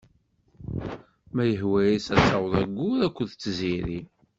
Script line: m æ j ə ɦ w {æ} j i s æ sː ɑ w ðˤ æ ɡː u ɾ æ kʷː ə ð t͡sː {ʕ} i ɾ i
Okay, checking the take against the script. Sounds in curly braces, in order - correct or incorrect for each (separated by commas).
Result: correct, incorrect